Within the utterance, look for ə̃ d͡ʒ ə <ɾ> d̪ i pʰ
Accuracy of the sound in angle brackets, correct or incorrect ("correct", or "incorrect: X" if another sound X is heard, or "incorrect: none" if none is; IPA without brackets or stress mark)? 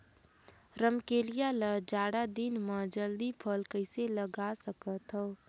incorrect: l